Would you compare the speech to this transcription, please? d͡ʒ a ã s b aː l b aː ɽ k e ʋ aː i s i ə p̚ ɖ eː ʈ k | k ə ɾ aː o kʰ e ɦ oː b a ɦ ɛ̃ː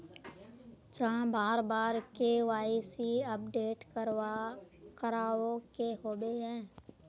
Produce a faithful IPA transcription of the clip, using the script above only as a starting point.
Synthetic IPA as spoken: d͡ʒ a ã b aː ɾ b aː ɾ k e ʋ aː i s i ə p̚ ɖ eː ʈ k | k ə ɾ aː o k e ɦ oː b e ɦ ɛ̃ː